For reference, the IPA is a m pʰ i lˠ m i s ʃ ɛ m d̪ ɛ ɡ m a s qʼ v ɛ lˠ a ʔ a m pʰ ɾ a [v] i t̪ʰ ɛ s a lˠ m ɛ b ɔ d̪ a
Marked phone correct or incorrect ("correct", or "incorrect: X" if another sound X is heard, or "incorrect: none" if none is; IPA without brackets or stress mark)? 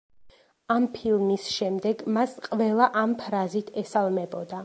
incorrect: z